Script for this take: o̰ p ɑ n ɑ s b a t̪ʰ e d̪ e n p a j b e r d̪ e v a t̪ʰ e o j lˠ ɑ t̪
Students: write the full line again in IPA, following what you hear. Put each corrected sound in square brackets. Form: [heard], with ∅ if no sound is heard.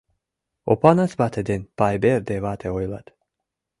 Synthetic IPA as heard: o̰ p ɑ n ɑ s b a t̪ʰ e d̪ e n p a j b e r d̪ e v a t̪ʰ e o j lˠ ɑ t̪